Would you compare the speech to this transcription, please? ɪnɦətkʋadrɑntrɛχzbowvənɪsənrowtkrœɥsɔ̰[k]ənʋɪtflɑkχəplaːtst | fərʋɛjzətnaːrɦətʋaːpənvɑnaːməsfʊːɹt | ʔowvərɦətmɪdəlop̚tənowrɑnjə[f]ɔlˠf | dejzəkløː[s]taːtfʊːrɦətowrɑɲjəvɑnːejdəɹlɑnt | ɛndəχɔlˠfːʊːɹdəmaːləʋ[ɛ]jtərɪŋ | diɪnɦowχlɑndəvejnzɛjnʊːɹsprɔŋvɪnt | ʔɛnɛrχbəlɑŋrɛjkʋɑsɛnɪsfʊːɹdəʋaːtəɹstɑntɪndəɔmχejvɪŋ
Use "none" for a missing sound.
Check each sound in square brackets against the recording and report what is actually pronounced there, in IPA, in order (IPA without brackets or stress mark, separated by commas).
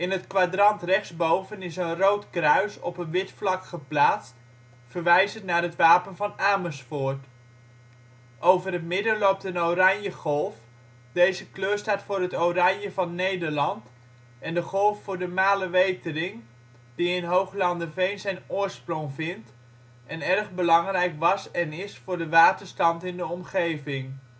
p, χ, s, e